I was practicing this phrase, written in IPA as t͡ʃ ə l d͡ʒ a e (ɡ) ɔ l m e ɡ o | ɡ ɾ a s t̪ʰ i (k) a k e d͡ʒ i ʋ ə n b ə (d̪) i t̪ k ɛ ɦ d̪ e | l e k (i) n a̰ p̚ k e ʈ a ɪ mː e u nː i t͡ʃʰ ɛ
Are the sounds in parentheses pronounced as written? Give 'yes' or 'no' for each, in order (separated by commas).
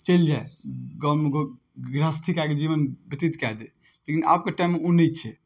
yes, yes, no, yes